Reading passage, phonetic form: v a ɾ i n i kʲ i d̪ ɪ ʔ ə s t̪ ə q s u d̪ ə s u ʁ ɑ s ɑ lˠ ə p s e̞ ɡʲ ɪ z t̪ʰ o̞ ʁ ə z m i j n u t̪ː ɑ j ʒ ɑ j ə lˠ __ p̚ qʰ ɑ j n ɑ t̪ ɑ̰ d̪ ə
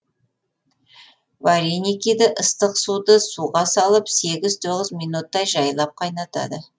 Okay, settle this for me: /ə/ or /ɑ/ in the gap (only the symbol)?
ɑ